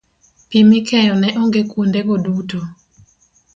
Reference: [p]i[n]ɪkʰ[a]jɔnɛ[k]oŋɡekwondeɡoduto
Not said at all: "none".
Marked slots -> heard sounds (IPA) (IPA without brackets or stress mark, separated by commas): p, m, ɛ, ʔ